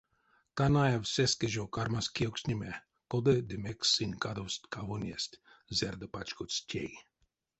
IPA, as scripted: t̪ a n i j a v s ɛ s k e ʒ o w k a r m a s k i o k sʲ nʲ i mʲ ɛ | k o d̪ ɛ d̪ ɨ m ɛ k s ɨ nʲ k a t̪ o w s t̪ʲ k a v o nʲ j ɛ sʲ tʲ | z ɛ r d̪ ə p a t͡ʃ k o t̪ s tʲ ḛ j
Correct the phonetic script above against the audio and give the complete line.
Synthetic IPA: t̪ a n a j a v s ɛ s k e ʒ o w k a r m a s k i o k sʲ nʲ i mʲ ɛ | k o d̪ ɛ d̪ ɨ m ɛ k s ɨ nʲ k a d̪ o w s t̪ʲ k a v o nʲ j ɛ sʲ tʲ | z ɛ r d̪ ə p a t͡ʃ k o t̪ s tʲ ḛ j